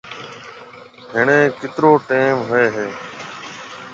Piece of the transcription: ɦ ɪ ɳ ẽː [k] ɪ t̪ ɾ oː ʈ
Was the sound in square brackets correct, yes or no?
yes